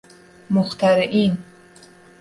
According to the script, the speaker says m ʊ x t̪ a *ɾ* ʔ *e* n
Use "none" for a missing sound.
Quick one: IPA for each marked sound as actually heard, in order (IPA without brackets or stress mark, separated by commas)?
ɾ, i